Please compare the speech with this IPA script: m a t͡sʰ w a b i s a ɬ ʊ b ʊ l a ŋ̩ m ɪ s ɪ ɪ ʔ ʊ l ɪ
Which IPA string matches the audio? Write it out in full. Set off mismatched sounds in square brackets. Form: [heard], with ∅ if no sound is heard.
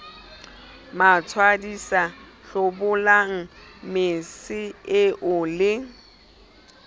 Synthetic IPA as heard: m a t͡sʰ w a [d] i s a ɬ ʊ b ʊ l a ŋ̩ m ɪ s ɪ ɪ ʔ ʊ l ɪ